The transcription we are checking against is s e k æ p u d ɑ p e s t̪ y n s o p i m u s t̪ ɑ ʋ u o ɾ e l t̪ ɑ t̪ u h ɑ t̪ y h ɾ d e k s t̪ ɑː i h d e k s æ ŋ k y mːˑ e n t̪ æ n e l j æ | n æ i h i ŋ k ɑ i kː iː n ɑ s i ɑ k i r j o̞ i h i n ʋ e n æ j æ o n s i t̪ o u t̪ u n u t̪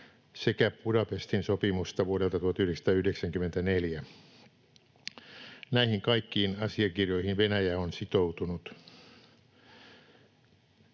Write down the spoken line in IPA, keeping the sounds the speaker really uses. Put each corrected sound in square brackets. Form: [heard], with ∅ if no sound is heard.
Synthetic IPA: s e k æ p u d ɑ p e s t̪ [i] n s o p i m u s t̪ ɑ ʋ u o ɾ e l t̪ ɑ t̪ u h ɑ t̪ y h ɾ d e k s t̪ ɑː [y] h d e k s æ ŋ k y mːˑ e n t̪ æ n e l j æ | n æ i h i ŋ k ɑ i kː iː n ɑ s i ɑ k i r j o̞ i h i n ʋ e n æ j æ o n s i t̪ o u t̪ u n u t̪